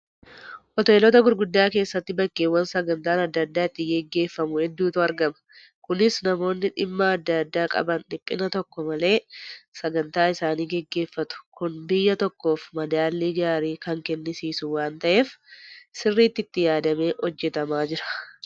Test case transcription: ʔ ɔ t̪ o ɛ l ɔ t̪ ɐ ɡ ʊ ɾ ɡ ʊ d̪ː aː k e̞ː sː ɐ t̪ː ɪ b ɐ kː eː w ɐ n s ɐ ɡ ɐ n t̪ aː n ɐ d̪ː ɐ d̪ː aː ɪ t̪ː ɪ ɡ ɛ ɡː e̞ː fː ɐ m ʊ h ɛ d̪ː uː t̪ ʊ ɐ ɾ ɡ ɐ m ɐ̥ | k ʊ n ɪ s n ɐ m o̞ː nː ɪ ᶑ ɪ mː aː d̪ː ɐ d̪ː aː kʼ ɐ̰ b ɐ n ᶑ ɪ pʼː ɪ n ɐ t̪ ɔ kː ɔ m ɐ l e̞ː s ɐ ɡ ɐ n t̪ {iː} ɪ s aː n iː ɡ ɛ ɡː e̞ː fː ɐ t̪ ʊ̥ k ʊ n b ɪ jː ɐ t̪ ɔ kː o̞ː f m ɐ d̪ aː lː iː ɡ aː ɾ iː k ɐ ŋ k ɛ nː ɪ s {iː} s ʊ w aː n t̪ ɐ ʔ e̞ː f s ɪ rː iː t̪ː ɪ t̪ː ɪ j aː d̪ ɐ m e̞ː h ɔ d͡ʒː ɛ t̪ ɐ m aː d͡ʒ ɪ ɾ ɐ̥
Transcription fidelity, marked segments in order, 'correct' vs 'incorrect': incorrect: aː, correct

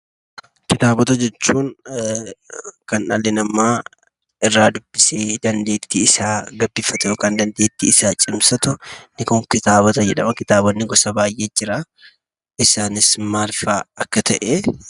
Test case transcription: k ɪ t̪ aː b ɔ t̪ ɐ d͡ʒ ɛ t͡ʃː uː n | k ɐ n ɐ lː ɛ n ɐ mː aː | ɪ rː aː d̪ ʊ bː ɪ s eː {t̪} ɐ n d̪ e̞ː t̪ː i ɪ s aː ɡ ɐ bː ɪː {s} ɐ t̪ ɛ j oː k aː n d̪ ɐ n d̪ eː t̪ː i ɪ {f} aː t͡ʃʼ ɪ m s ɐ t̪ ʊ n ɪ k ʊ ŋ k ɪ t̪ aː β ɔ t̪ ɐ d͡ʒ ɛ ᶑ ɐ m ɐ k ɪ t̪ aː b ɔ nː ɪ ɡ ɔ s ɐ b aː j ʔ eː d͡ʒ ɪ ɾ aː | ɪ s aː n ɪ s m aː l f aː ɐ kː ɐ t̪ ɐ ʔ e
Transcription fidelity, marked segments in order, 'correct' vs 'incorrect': incorrect: d̪, incorrect: f, incorrect: s

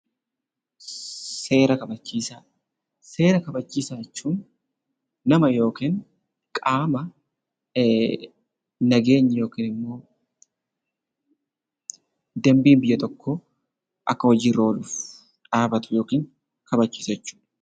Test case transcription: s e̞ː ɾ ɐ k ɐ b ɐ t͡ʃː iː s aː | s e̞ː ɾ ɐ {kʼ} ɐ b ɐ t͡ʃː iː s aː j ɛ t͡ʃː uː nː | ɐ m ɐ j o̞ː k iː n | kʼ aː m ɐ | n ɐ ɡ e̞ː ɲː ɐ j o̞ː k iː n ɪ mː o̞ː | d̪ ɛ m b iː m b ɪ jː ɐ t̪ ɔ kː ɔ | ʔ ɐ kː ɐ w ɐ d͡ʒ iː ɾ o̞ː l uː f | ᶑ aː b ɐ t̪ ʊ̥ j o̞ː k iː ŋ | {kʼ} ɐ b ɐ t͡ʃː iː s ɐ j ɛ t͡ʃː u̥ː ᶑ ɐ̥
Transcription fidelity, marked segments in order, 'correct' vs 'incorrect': incorrect: k, incorrect: k

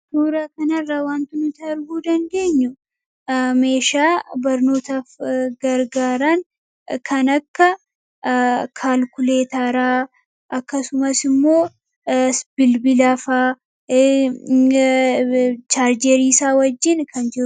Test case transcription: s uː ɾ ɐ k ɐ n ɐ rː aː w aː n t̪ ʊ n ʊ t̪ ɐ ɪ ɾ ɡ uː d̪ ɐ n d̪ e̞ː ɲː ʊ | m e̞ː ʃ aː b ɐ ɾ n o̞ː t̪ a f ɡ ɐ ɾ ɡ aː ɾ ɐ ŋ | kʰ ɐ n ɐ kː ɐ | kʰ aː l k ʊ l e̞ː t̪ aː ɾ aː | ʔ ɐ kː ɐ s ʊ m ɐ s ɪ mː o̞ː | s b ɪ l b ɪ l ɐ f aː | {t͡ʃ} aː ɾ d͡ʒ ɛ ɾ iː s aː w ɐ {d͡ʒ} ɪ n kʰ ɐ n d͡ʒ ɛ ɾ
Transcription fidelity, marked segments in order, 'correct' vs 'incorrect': correct, incorrect: d͡ʒː

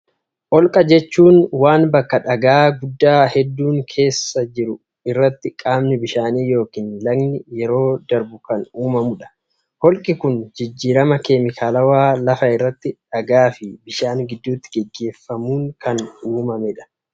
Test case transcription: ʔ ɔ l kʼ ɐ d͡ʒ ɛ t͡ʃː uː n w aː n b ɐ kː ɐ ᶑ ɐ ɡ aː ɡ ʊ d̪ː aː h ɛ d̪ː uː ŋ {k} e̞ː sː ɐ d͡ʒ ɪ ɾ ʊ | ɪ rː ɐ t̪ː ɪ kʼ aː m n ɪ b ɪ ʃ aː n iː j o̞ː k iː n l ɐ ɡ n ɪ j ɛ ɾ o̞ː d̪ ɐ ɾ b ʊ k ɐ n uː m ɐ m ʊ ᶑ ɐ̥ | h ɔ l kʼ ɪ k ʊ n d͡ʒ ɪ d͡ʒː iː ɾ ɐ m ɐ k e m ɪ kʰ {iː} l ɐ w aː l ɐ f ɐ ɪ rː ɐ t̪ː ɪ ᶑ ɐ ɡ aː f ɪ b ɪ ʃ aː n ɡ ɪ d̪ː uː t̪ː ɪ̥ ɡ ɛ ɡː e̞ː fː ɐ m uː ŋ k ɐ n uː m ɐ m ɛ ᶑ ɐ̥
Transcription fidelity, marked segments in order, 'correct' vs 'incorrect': incorrect: kʰ, incorrect: aː

